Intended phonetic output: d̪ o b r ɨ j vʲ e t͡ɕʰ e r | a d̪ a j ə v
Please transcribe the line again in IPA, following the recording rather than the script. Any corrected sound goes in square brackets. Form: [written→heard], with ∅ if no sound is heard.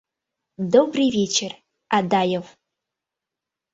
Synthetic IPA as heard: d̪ o b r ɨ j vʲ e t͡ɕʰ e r | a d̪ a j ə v